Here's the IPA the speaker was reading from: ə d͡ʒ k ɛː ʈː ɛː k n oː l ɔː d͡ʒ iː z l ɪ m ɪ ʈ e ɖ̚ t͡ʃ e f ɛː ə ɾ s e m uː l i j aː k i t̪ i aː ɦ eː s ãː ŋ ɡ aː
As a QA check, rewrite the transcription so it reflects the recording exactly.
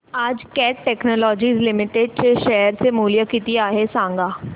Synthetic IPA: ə d͡ʒ k ɛː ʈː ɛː k n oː l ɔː d͡ʒ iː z l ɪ m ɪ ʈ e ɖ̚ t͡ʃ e ʃ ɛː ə ɾ s e m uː l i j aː k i t̪ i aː ɦ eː s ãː ŋ ɡ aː